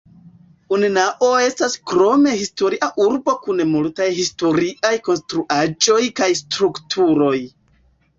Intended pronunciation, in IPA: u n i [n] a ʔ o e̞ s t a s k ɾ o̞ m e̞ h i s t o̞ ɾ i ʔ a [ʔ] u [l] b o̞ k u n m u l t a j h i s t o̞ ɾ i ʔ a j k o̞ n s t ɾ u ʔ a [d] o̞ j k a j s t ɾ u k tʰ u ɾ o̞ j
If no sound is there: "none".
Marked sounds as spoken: n, ʔ, ɾ, d͡ʒ

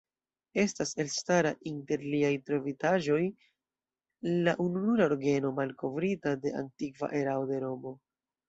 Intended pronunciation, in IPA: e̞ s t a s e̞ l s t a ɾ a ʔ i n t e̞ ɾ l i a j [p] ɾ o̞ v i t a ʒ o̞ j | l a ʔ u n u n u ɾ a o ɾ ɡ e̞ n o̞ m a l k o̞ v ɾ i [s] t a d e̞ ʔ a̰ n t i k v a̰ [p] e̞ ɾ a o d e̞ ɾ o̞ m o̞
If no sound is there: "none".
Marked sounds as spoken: t, none, ʔ

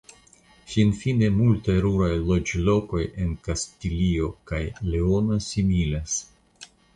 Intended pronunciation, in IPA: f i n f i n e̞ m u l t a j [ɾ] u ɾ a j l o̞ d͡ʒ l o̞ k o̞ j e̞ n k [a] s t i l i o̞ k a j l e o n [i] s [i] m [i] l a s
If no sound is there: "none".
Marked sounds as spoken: ɾ, a, a, i, i

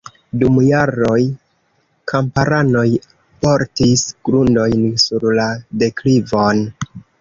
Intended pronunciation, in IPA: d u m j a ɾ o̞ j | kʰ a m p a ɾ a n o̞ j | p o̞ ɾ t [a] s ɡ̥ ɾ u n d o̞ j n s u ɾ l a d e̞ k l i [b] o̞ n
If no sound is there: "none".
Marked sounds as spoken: i, v

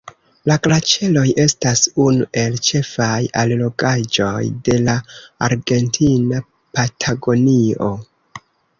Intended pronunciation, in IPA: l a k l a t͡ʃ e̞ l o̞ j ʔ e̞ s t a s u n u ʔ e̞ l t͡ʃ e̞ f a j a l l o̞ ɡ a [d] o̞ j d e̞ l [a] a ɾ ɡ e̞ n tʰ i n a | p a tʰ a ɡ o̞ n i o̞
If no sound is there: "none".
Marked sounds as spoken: d͡ʒ, a

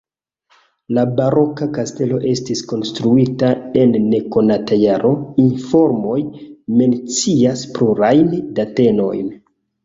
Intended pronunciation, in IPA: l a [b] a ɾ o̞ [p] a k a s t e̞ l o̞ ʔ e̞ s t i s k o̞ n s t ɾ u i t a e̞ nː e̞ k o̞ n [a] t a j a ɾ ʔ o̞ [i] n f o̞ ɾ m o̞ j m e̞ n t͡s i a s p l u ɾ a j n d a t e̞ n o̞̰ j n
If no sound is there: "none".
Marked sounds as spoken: b, k, a, i

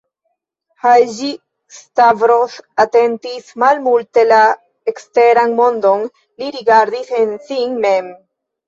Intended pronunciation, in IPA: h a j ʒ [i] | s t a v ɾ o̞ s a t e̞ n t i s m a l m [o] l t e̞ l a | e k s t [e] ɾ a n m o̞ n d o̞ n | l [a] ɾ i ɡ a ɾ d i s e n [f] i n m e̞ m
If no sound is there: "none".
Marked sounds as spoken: i, u, e, i, s

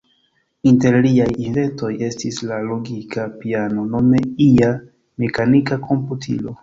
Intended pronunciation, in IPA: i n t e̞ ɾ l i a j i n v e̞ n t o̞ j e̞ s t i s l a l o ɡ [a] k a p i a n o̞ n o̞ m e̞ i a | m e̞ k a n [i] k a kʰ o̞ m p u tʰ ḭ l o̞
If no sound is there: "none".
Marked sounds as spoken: i, i

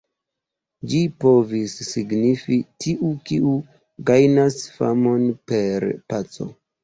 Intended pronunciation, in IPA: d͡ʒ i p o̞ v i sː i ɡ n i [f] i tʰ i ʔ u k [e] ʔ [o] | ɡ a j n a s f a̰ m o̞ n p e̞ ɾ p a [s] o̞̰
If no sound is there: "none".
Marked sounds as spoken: f, i, u, t͡s

